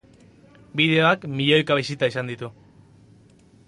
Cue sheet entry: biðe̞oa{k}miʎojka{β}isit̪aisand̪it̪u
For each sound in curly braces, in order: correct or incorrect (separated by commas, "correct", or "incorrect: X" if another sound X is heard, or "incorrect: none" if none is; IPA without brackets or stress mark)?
correct, correct